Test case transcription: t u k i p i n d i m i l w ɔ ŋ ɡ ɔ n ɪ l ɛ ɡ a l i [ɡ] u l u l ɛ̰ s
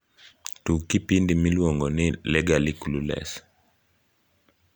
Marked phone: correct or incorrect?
incorrect